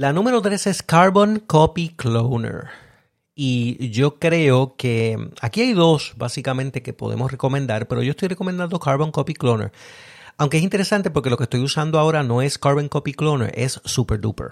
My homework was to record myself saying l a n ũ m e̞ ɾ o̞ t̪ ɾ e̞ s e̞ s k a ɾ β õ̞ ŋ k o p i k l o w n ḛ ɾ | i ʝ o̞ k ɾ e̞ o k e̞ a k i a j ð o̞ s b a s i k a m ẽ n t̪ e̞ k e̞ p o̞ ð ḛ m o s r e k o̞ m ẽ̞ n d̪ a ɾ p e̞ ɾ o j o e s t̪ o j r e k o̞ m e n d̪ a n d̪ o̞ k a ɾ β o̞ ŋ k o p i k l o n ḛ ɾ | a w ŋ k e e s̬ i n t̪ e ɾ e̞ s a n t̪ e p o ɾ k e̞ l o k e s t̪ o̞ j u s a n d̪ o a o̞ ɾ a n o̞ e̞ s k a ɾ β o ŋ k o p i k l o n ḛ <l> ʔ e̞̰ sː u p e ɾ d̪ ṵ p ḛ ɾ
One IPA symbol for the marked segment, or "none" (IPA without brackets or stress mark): ɾ